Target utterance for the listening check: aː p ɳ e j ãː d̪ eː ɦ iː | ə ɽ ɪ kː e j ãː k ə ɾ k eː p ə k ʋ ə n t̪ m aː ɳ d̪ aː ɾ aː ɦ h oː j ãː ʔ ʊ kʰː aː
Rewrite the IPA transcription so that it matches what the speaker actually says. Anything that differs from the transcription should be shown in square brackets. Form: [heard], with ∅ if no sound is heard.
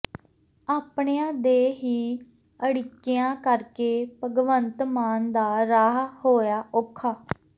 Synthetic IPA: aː p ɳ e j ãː d̪ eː ɦ iː | ə ɽ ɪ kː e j ãː k ə ɾ k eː p ə [ɡ] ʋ ə n t̪ m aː [n] d̪ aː ɾ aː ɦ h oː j [aː] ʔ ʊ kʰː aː